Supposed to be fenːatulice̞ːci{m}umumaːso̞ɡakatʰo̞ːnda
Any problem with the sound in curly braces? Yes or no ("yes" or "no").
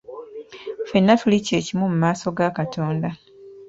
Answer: no